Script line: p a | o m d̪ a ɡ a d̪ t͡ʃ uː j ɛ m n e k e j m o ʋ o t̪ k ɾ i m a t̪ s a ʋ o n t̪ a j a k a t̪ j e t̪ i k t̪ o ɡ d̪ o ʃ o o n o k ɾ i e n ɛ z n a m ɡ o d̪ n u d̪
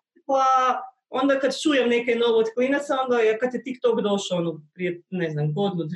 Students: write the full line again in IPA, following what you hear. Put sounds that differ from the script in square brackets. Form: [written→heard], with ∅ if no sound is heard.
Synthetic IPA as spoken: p a | o [m→n] d̪ a [ɡ→k] a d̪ t͡ʃ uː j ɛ m n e k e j [m→n] o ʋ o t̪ k [ɾ→l] i [m→n] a t̪ s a [ʋ→∅] o n [t̪→d̪] a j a k a t̪ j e t̪ i k t̪ o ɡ d̪ o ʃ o o n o [k→p] ɾ i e n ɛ z n a m ɡ o d̪ n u d̪